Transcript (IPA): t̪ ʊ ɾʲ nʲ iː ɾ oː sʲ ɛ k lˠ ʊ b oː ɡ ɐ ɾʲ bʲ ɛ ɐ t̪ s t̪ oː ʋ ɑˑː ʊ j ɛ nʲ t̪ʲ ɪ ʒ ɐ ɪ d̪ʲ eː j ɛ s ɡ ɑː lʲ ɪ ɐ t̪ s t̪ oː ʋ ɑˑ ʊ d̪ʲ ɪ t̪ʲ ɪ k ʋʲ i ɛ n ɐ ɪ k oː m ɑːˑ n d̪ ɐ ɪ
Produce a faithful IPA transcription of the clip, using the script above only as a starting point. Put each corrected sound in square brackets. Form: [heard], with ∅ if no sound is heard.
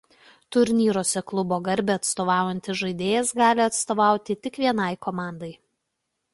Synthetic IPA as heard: t̪ ʊ ɾʲ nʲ iː ɾ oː sʲ ɛ k lˠ ʊ b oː ɡ ɐ ɾʲ bʲ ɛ ɐ t̪ s t̪ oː ʋ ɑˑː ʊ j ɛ nʲ t̪ʲ ɪ ʒ ɐ ɪ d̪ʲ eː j ɛ s ɡ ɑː lʲ ɪ ɐ t̪ s t̪ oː ʋ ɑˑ ʊ [t̪ʲ] ɪ t̪ʲ ɪ k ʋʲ i ɛ n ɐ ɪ k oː m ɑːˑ n d̪ ɐ ɪ